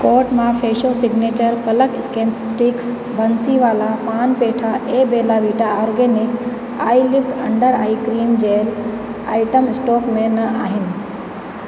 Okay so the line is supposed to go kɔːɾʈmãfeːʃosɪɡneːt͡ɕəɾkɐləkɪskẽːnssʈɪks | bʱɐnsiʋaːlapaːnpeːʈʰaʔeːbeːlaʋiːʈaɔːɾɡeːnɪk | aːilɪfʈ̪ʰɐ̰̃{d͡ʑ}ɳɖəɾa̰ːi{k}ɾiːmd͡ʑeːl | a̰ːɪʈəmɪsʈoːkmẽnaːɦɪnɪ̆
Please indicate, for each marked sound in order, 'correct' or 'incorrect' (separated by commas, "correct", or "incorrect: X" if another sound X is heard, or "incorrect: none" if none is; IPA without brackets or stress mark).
incorrect: none, correct